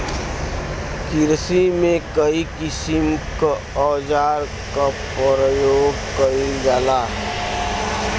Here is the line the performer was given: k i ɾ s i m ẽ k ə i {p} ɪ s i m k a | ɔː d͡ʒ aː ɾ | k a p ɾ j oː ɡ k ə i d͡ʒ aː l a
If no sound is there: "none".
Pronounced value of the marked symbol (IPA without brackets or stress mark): k